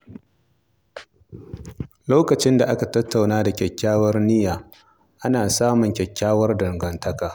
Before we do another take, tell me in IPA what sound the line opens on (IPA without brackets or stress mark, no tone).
l